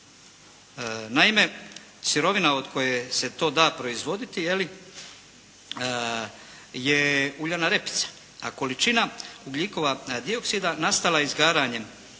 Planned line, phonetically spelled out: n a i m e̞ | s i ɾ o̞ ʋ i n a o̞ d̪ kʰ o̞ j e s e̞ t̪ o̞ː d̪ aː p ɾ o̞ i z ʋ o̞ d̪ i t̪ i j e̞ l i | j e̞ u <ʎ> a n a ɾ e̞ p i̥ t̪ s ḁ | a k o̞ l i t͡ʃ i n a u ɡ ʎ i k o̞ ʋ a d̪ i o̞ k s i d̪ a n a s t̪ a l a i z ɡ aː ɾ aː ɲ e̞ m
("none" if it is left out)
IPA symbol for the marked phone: ʎ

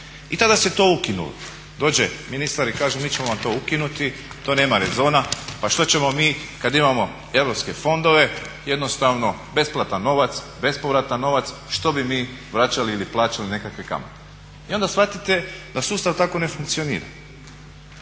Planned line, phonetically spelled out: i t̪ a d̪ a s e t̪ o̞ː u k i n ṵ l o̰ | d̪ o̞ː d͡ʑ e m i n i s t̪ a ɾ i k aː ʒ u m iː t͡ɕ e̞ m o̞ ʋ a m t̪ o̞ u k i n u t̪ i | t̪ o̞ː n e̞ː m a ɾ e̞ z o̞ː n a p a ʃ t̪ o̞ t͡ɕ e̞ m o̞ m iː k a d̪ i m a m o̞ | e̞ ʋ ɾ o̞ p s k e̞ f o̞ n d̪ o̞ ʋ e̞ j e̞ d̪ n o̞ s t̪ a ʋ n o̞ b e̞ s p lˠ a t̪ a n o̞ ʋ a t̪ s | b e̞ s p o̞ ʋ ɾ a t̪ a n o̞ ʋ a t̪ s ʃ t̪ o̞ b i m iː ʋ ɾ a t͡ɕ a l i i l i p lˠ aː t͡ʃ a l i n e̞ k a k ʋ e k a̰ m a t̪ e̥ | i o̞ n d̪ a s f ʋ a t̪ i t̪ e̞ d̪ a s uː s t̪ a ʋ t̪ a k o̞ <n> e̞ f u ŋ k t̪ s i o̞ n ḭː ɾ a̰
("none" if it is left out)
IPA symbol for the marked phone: n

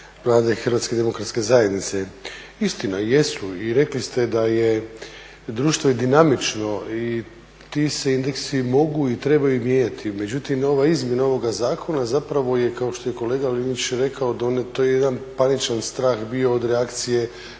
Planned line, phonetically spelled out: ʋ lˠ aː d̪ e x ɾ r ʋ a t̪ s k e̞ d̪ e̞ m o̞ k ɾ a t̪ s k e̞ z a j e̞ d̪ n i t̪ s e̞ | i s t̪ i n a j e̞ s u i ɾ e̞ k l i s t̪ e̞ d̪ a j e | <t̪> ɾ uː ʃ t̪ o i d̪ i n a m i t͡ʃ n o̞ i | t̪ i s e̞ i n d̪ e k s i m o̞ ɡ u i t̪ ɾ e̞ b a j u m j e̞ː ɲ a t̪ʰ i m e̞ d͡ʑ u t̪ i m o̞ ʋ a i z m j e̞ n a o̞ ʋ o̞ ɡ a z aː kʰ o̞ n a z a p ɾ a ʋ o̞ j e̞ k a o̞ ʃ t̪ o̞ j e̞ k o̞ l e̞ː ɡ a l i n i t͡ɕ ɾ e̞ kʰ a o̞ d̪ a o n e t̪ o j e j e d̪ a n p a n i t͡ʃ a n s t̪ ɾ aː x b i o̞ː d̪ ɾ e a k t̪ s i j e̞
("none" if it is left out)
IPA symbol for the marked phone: d̪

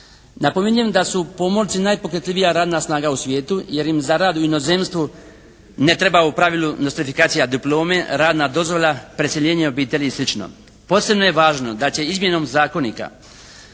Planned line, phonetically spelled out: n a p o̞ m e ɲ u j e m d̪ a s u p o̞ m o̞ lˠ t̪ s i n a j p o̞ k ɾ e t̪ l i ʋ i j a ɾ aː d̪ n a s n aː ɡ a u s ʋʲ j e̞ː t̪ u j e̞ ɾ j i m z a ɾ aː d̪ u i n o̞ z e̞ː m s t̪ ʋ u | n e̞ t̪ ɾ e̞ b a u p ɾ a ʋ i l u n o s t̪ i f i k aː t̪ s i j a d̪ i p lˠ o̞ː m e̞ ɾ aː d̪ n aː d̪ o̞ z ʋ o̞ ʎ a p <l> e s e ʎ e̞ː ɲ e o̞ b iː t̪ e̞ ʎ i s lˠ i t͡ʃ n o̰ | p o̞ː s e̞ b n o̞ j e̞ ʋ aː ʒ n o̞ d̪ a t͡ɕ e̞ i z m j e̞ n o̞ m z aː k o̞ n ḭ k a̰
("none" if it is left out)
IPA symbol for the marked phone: ɾ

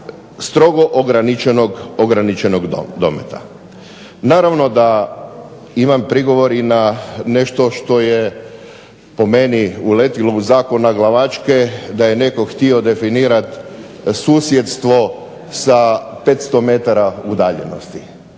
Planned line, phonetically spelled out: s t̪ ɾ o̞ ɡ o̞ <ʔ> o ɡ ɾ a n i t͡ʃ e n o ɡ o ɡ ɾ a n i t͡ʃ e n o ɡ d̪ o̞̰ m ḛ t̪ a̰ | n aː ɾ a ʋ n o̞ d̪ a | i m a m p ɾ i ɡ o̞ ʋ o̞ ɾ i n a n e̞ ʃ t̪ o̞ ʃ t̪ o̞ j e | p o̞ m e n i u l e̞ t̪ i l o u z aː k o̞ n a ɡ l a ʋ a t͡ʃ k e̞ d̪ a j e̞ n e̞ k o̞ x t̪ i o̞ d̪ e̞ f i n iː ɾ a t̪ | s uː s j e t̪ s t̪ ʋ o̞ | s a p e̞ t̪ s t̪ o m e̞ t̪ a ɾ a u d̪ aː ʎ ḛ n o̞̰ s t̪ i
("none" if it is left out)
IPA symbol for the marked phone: ʔ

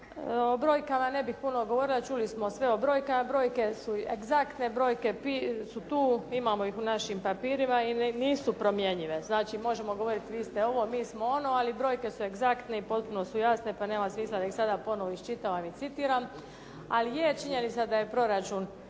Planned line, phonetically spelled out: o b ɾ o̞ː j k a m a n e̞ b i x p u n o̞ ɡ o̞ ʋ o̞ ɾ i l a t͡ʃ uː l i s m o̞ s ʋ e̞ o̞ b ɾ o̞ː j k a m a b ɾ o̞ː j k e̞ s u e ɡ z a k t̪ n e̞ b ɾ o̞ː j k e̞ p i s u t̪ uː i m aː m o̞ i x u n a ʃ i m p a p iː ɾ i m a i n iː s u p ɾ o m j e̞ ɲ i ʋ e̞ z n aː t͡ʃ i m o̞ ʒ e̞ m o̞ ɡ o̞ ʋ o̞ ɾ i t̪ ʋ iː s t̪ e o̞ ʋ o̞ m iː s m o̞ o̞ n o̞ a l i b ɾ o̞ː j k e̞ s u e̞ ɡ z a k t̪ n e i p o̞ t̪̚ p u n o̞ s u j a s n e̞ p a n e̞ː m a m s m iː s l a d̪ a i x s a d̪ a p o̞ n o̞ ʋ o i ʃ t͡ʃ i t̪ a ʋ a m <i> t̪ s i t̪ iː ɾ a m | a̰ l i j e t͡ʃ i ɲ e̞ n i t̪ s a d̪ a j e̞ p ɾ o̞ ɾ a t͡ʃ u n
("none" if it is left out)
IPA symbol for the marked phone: i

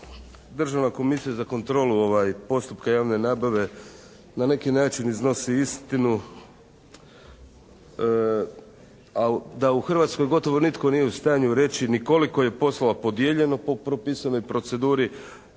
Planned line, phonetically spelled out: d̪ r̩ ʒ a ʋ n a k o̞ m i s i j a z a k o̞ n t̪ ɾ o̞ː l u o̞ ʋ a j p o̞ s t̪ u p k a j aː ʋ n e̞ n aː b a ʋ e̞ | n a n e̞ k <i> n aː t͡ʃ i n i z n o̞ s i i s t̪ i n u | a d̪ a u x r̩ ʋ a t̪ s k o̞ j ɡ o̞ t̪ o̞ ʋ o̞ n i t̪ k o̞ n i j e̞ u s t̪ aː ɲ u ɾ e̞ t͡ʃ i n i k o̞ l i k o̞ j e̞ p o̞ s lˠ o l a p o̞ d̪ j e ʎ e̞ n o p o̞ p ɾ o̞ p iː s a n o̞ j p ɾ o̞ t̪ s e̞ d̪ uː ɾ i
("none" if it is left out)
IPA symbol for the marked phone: i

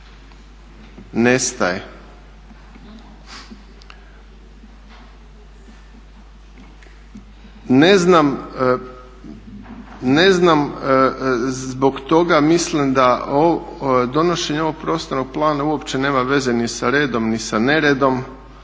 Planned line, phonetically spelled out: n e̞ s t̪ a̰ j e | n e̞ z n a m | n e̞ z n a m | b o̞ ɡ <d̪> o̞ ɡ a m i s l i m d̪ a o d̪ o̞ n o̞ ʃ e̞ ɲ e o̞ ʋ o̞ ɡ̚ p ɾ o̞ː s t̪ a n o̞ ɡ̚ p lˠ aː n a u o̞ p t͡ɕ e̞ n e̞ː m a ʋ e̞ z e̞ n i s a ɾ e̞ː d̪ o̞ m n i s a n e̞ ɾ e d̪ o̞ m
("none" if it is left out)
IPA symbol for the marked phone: t̪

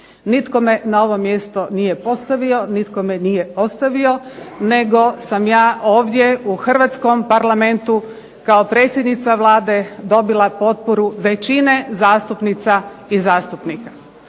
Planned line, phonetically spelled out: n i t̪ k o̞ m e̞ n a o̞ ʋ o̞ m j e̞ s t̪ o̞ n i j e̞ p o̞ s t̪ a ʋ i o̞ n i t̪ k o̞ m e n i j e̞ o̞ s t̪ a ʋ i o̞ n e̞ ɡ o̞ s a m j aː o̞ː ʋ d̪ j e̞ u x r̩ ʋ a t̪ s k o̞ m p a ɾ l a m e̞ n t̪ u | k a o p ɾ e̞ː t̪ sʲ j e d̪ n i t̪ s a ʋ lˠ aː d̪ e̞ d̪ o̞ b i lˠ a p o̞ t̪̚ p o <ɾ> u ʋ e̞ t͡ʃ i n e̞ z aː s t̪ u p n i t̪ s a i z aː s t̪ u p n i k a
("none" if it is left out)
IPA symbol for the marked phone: ɾ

